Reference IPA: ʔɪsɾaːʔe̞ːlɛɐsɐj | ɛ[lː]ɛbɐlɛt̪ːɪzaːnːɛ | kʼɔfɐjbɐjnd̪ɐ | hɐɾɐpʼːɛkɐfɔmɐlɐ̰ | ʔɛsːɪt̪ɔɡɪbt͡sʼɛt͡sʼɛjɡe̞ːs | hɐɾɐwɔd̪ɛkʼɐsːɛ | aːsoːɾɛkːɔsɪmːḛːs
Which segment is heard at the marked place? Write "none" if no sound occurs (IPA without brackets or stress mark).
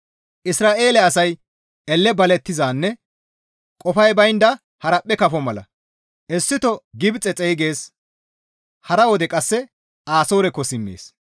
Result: lː